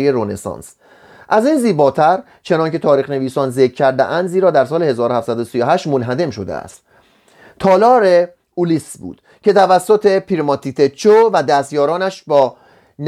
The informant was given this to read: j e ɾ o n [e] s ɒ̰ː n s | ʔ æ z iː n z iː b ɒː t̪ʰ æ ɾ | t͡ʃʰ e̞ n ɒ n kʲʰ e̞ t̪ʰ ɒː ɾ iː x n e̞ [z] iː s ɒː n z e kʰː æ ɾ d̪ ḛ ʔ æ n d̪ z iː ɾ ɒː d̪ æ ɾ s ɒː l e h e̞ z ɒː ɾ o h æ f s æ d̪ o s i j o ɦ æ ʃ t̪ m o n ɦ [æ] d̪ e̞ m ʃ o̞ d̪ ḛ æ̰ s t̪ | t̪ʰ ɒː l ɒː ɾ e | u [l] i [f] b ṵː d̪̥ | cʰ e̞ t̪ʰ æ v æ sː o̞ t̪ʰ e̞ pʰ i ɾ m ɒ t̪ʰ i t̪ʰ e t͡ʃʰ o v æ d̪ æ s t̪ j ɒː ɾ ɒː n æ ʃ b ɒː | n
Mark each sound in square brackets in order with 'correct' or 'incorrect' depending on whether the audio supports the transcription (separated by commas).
correct, incorrect, correct, correct, incorrect